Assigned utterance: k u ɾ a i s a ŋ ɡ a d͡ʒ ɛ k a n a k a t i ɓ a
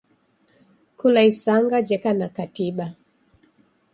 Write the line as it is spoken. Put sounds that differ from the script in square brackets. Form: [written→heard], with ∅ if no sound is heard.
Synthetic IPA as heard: k u [ɾ→l] a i s a ŋ ɡ a d͡ʒ ɛ k a n a k a t i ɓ a